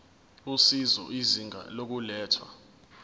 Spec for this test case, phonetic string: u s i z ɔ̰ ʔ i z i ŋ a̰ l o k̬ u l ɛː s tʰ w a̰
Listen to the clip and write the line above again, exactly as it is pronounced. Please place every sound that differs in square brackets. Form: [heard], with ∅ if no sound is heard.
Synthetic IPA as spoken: u s i z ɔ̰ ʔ i z i ŋ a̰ l o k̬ u l ɛː [∅] tʰ w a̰